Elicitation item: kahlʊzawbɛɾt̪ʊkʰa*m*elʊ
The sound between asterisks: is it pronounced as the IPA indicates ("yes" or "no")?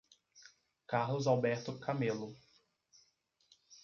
yes